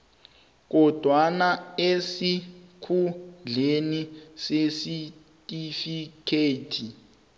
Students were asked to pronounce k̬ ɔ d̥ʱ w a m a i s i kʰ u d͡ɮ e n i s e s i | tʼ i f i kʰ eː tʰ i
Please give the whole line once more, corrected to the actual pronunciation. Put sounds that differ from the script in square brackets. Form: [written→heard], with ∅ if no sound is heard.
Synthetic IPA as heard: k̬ ɔ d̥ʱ w a [m→n] a [i→e] s i kʰ u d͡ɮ e n i s e s i | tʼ i f i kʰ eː tʰ i